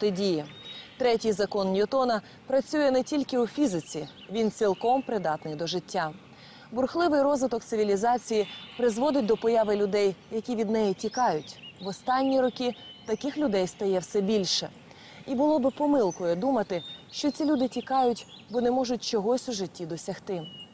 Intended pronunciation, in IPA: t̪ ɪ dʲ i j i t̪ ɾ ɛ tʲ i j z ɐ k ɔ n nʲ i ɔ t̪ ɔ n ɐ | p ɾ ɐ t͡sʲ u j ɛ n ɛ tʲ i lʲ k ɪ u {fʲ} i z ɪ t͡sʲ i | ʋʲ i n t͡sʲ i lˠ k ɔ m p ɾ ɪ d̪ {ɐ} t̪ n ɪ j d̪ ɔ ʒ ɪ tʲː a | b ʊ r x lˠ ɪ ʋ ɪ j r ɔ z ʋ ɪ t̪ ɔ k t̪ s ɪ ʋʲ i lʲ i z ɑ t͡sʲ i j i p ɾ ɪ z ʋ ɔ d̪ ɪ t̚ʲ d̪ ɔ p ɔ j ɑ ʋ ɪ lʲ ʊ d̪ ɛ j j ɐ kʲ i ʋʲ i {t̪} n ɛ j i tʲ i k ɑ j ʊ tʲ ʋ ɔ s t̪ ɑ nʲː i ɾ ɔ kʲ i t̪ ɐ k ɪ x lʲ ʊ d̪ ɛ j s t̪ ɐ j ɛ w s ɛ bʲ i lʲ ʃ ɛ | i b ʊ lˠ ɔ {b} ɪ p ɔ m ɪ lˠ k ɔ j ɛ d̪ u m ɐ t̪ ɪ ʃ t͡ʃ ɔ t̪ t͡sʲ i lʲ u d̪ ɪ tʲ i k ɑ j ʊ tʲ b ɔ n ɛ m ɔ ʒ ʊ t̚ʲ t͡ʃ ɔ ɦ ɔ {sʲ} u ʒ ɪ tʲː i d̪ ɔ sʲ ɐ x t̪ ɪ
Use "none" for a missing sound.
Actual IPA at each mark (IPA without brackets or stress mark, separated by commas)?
fʲ, ɑ, d̪, b, sʲ